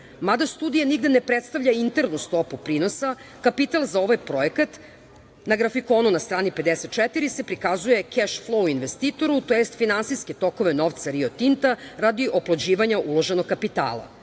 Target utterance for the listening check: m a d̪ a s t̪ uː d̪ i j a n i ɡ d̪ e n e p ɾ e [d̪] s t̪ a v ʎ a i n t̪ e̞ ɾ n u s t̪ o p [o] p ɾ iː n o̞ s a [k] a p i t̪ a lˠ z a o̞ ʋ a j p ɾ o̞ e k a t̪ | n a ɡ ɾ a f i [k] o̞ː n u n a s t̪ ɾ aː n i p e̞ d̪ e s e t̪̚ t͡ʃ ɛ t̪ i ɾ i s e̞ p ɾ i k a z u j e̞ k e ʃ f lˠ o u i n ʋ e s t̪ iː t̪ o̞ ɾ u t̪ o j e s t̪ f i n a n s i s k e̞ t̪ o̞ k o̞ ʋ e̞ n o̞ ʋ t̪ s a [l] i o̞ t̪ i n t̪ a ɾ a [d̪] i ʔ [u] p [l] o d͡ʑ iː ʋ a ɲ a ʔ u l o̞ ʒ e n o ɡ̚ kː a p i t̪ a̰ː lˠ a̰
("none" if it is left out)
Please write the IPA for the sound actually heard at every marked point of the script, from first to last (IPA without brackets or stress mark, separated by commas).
t̪, u, k, k, ɾ, d̪, o, l